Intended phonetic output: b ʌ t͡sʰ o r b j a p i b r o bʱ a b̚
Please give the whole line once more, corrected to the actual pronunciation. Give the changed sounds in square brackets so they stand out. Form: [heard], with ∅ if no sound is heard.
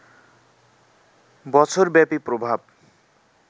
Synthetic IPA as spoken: b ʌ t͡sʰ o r b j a p i [p] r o bʱ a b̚